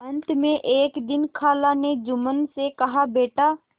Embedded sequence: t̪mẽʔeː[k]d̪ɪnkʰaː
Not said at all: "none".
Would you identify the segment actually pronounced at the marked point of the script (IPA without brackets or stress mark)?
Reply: k